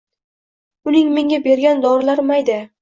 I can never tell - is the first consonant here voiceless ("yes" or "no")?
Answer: no